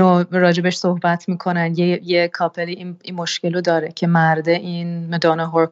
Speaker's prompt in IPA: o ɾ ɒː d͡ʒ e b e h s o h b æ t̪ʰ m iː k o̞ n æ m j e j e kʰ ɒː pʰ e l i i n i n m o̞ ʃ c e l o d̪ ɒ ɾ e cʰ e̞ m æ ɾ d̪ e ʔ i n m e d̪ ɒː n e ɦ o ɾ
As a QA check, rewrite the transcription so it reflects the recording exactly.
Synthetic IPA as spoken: o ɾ ɒː d͡ʒ e b e ʃ s o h b æ t̪ʰ m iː kʰ o̞ n æ n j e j e kʰ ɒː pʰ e l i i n i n m o̞ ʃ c e l o d̪ ɒː ɾ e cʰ e̞ m æ ɾ d̪ e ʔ i n m e d̪ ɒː n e ɦ o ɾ